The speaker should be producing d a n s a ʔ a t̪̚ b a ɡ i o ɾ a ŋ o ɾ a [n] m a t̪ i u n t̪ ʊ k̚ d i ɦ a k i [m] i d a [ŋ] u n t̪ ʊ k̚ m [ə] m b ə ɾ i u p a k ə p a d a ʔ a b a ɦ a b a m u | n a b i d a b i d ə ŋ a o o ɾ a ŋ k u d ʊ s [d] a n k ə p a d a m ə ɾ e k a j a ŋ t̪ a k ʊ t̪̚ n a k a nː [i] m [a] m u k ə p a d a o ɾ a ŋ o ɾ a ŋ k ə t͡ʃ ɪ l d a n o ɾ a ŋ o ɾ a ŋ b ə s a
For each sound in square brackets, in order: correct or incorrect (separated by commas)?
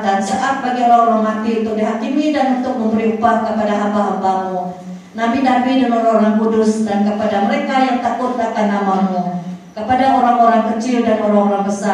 incorrect, correct, incorrect, correct, correct, incorrect, correct